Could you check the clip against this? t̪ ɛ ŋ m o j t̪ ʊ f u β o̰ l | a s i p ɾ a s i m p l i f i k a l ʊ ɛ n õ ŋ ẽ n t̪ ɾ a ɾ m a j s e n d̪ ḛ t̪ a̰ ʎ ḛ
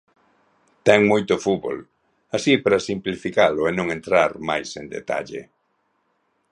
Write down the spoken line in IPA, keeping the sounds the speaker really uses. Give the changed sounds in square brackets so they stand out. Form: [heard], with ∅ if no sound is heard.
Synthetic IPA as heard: t̪ ɛ ŋ m o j t̪ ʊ f u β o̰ l | a s i p ɾ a s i m p l i f i k a l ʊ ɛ n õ ŋ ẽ n t̪ ɾ a ɾ m a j s e n d̪ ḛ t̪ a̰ ʎ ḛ